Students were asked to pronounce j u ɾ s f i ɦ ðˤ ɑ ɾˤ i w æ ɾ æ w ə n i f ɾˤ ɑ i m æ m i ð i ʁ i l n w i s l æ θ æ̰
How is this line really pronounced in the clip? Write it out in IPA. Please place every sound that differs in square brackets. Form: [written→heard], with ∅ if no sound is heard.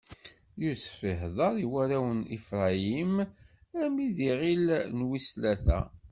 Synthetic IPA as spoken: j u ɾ s f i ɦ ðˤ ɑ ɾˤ i w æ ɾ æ w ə n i f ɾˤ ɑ i m æ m i ð i ʁ i l n w i s l æ θ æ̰